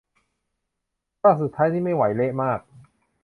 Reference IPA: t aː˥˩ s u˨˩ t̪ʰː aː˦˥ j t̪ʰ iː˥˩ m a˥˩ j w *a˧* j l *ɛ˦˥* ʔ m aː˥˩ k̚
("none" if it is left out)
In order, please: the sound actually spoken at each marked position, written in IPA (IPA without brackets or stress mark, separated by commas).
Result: a˩˦, e˦˥